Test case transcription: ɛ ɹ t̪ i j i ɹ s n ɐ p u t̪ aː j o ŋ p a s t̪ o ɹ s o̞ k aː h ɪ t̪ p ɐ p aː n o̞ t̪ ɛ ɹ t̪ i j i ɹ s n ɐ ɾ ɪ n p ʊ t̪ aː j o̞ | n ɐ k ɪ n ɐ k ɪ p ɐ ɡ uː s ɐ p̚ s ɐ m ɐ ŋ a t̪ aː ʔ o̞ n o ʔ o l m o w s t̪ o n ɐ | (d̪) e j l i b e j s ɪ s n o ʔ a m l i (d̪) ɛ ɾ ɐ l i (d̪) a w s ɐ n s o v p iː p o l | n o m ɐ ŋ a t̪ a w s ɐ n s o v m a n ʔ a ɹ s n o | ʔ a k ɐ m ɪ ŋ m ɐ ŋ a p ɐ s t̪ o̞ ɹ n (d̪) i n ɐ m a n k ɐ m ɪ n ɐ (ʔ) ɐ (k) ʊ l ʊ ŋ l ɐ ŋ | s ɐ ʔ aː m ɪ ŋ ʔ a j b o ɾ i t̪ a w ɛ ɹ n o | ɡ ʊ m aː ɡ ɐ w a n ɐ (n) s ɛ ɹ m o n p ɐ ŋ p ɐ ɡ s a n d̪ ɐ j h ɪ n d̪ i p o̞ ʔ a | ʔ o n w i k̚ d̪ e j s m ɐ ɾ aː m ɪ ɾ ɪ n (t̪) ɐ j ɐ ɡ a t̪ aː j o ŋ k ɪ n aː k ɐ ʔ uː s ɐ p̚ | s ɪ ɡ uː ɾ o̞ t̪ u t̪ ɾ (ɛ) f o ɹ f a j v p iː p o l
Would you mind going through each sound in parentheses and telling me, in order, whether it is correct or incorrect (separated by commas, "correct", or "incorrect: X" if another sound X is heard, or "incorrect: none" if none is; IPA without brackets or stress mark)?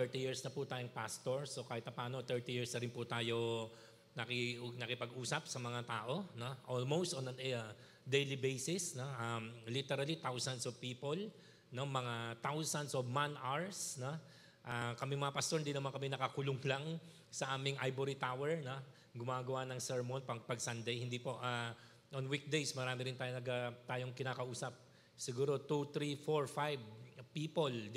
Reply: correct, incorrect: t̪, incorrect: t̪, correct, incorrect: k, correct, incorrect: ŋ, correct, incorrect: i